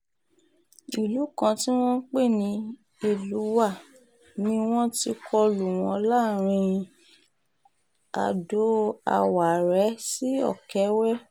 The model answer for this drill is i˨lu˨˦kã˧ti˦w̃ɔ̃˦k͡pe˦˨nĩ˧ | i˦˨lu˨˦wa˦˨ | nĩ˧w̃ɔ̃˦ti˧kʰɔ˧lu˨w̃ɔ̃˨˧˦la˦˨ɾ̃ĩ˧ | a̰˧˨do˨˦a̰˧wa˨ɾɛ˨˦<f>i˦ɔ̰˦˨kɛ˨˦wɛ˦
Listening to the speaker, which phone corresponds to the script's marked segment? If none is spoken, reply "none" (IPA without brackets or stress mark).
s